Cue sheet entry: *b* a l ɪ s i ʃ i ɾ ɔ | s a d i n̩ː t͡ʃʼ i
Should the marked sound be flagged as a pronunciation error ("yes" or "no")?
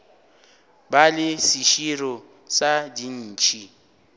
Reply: no